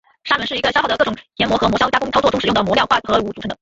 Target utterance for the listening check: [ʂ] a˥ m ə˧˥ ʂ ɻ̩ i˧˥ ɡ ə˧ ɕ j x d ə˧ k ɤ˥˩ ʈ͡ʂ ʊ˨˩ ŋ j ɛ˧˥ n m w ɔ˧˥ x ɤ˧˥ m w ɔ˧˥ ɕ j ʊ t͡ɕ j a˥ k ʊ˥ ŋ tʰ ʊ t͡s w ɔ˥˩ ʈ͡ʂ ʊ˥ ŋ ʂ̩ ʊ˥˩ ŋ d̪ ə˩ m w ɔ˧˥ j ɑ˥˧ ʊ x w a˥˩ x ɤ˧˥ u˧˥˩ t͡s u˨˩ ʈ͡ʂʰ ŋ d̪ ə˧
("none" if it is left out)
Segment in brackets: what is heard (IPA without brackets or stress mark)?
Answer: ʂ